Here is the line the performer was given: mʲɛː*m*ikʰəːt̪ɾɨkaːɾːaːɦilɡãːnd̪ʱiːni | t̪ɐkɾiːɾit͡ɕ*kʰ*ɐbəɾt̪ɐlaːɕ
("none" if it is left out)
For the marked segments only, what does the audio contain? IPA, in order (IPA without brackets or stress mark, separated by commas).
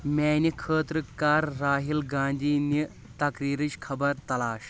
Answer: n, kʰ